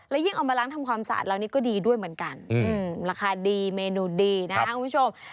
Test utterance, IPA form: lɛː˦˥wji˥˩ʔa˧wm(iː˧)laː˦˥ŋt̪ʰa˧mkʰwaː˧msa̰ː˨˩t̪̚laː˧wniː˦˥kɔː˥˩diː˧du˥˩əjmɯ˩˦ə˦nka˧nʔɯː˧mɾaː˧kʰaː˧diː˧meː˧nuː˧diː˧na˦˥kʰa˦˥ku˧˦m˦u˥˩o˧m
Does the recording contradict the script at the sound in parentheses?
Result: yes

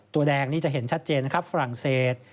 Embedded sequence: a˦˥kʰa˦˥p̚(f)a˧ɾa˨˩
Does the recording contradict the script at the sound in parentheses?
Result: no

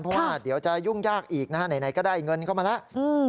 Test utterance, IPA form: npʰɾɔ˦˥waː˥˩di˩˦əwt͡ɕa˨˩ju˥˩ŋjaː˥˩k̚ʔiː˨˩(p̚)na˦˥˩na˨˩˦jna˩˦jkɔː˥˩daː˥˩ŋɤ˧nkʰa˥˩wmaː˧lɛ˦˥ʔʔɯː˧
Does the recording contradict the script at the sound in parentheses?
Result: yes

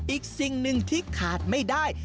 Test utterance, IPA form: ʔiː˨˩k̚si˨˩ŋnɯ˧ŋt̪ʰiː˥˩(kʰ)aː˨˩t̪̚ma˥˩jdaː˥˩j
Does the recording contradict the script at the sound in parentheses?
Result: no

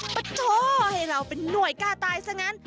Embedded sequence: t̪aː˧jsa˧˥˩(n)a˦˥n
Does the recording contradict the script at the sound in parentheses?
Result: yes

